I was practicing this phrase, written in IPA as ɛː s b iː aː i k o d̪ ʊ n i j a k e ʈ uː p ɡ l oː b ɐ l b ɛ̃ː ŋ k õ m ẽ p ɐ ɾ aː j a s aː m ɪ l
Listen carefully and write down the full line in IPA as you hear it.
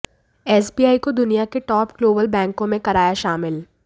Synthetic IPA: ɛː s b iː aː i k o d̪ ʊ n i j a k e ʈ ɔː p ɡ l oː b ə l b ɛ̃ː ŋ k õ m ẽ k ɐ ɾ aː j a ʃ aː m ɪ l